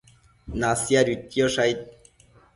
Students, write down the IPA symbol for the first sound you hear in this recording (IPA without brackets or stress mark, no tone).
n